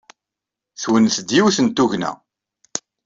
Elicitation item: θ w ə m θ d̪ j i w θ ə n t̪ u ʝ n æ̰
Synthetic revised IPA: θ w ə n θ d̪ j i w θ ə n t̪ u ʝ n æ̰